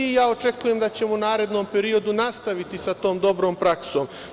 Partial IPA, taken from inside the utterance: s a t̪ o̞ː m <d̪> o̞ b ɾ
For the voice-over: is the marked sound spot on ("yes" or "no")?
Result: yes